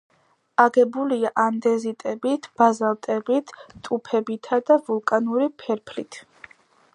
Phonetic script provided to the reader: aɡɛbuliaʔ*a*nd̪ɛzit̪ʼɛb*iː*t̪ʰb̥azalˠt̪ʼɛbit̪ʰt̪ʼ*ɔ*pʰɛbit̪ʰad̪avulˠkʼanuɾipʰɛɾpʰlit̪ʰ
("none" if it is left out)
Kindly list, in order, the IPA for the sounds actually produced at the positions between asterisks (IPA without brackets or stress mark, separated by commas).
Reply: a, i, u